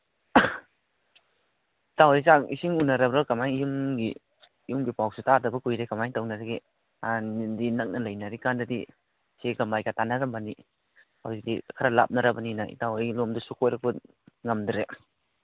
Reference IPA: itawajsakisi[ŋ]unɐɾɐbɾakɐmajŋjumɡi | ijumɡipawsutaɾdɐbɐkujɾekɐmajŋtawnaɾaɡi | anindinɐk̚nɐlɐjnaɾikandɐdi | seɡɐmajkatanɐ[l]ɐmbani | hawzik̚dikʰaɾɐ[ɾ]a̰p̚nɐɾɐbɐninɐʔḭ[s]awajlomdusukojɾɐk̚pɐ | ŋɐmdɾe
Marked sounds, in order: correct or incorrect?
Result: correct, incorrect, incorrect, incorrect

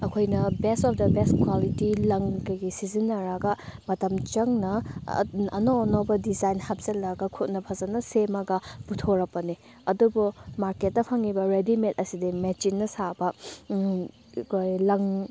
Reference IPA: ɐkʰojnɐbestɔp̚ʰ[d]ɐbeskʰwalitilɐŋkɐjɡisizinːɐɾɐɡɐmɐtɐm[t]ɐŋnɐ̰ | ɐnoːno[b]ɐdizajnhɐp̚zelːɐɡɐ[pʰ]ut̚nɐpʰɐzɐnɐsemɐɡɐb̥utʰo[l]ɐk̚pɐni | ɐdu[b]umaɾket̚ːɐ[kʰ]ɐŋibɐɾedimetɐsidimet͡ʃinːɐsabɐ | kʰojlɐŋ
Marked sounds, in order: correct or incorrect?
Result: correct, incorrect, correct, incorrect, incorrect, correct, incorrect

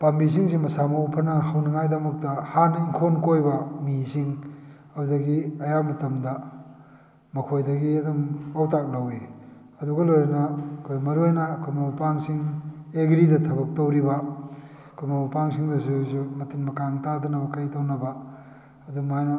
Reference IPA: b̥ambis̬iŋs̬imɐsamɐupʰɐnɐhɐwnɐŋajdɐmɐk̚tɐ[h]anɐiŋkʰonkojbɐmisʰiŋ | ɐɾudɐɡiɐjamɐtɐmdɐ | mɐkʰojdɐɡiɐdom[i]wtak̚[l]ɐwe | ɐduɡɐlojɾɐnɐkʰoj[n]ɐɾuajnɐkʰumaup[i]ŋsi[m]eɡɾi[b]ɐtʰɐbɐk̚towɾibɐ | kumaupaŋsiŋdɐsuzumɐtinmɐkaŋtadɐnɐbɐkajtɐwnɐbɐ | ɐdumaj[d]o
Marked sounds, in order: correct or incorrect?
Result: correct, incorrect, correct, incorrect, incorrect, incorrect, incorrect, incorrect

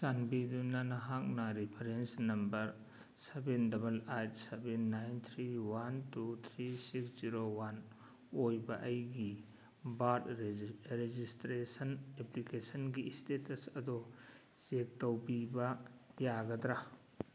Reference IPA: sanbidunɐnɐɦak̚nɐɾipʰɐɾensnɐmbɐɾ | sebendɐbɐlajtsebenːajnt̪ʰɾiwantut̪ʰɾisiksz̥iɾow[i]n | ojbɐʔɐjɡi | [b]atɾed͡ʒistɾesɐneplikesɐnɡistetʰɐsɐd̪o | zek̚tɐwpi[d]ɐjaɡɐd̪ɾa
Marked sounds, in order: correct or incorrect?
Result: incorrect, correct, incorrect

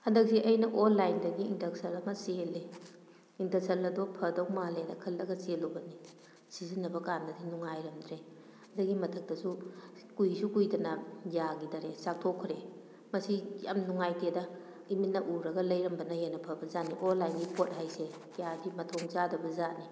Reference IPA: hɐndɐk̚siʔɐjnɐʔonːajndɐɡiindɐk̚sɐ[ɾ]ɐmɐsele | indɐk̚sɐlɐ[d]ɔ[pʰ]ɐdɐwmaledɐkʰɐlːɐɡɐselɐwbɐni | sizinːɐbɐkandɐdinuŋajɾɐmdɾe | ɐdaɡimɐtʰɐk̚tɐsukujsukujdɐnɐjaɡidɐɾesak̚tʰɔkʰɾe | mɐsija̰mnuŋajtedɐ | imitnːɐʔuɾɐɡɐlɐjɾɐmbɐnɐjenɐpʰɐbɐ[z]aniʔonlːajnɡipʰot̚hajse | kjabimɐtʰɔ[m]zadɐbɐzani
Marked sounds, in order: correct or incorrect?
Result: incorrect, correct, correct, correct, incorrect

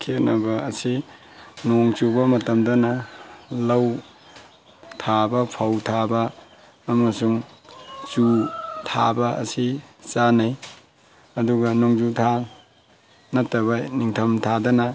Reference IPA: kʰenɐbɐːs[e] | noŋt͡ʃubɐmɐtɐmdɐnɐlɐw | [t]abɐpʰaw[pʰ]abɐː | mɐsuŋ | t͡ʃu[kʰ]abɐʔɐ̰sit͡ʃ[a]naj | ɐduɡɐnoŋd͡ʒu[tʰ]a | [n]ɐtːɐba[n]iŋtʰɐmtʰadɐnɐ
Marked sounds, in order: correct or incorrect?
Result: incorrect, incorrect, incorrect, incorrect, correct, correct, correct, correct

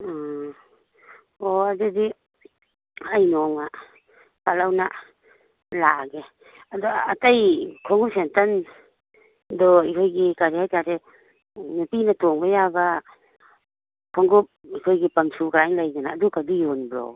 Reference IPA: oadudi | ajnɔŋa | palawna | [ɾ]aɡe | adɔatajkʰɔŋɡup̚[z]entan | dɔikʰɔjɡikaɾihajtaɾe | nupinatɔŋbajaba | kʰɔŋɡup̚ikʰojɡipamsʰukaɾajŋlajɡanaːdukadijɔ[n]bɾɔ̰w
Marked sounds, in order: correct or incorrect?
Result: incorrect, incorrect, correct

